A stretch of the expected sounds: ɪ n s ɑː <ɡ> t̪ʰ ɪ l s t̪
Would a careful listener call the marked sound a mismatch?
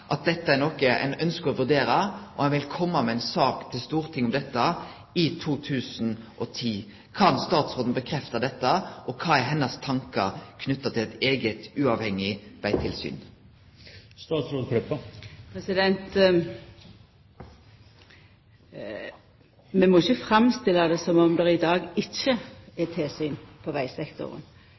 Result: yes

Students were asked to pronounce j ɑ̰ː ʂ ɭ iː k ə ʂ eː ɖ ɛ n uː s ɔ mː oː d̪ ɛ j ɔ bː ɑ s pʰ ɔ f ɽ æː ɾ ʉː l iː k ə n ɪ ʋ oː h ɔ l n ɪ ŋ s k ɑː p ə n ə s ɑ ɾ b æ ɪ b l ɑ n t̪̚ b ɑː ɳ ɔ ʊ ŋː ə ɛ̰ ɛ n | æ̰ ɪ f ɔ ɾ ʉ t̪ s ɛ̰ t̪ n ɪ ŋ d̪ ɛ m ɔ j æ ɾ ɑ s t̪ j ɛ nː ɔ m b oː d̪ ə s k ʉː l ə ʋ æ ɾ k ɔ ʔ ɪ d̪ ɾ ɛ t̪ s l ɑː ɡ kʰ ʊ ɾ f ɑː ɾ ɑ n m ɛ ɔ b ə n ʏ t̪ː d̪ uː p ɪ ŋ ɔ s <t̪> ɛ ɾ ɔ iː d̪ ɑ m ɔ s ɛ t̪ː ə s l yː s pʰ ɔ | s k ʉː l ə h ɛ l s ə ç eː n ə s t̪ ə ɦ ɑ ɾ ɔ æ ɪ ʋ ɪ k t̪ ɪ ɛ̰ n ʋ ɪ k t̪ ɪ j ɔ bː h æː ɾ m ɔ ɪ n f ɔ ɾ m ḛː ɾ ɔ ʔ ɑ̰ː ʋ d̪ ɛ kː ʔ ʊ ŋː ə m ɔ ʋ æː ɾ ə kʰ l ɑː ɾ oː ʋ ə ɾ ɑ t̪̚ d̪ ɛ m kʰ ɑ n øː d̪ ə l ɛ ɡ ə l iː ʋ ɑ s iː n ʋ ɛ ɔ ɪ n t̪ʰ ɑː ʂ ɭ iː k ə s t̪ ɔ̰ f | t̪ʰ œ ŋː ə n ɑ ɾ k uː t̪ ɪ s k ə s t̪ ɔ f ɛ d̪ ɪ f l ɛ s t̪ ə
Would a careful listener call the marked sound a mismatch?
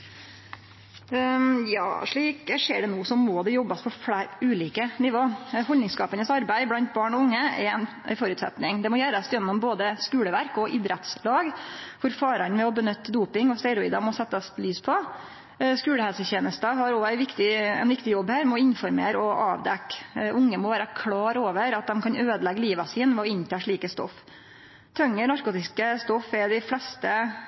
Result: no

